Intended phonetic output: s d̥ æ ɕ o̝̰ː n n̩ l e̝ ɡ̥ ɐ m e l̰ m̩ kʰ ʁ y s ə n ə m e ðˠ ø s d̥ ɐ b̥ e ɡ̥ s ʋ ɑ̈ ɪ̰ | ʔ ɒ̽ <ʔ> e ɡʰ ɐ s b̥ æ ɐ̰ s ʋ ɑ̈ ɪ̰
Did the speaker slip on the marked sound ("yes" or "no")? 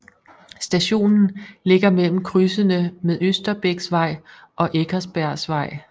no